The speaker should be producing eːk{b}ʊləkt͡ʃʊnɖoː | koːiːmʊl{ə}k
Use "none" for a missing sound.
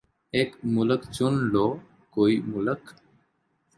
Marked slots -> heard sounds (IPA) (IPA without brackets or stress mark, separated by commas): m, ə